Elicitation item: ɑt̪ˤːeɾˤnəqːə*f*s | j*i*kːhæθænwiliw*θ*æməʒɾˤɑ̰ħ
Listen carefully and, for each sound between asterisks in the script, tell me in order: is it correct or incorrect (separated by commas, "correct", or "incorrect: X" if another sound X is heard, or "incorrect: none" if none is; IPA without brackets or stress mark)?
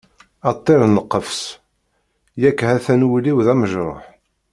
correct, incorrect: æ, incorrect: ð